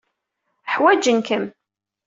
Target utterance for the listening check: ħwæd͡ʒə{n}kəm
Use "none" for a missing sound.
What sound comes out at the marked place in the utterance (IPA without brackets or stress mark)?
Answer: n